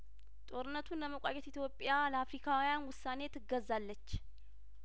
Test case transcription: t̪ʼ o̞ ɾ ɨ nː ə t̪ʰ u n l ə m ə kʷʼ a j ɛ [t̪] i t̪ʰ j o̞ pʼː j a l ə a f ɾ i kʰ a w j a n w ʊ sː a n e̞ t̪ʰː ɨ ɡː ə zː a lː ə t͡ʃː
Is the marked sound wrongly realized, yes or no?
no